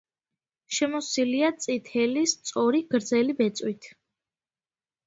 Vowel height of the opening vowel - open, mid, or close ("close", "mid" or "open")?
mid